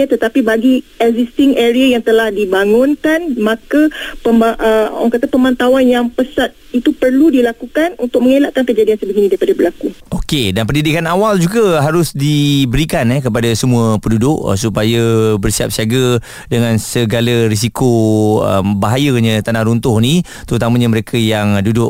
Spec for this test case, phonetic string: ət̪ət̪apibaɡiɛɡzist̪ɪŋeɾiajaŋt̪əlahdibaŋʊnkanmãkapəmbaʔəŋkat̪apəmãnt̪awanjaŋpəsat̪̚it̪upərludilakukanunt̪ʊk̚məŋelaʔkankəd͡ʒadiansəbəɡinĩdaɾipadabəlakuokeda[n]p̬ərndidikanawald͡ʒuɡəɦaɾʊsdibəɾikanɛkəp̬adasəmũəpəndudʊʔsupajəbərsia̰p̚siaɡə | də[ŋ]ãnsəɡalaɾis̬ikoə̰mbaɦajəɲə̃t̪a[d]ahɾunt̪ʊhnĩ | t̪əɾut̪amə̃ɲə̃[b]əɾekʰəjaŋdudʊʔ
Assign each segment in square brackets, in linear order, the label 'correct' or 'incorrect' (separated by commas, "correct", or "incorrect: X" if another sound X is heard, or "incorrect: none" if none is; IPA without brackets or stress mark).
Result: correct, correct, incorrect: n, incorrect: m